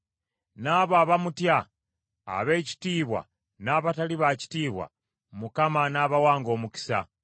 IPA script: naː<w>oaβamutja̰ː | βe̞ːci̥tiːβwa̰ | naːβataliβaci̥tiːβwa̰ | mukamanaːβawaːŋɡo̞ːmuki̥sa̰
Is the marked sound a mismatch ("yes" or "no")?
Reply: yes